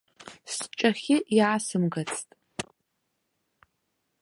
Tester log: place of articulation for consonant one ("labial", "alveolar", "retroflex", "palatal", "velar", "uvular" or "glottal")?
alveolar